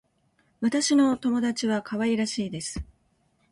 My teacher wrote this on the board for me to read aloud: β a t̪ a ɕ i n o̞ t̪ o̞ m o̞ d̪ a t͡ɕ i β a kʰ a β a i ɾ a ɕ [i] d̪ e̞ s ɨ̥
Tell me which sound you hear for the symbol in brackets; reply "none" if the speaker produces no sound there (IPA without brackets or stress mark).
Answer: iː